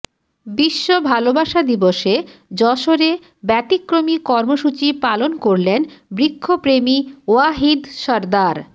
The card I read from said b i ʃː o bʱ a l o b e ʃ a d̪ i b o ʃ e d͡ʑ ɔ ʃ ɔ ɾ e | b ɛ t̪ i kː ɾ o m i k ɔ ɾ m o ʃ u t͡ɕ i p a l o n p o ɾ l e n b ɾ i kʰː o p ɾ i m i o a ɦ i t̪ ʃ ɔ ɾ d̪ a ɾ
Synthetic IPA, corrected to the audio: b i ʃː o bʱ a l o b a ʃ a d̪ i b o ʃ e d͡ʑ ɔ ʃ o ɾ e | b ɛ t̪ i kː ɾ o m i k ɔ ɾ m o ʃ u t͡ɕ i p a l o n k o ɾ l e n b ɾ i kʰː o p ɾ e m i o a ɦ i d̪ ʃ ɔ ɾ d̪ a ɾ